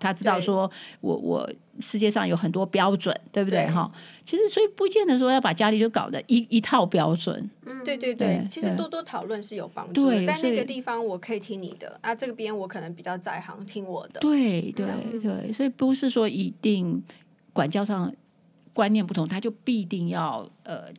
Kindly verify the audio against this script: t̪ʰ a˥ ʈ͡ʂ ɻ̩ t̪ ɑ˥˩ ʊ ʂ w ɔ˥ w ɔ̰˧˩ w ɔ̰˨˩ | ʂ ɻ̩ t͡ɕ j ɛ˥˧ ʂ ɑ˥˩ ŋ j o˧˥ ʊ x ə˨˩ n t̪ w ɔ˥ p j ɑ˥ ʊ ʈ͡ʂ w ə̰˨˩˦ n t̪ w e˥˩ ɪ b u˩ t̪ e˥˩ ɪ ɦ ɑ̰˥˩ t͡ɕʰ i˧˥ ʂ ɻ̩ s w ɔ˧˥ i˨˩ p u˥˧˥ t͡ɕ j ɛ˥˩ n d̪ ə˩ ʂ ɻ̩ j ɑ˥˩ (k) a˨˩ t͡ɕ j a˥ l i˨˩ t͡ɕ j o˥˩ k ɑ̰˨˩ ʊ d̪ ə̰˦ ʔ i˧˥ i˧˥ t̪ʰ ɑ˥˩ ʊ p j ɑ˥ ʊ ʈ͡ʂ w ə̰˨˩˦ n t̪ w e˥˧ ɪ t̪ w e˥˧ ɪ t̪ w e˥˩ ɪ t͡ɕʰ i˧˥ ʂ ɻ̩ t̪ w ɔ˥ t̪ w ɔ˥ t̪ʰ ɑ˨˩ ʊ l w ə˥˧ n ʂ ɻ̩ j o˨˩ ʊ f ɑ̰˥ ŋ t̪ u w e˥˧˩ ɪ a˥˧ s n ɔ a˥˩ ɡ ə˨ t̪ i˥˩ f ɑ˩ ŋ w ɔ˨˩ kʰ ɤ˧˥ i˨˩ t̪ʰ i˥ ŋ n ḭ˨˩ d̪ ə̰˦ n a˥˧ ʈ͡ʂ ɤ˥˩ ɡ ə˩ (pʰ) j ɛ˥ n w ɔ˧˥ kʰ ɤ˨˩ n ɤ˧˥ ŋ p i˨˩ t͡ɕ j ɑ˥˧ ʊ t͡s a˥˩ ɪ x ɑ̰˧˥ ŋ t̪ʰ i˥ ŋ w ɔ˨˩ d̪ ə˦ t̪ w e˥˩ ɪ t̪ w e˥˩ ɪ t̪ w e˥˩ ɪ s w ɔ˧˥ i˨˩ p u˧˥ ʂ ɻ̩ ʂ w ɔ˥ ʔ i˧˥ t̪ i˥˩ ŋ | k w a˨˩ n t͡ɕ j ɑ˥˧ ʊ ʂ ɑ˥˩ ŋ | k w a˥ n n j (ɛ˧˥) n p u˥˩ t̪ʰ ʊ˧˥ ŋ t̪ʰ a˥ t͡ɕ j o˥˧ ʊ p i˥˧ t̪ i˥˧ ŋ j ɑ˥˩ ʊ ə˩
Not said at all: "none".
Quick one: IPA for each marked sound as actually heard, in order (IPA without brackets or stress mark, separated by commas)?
p, p, ɛ˧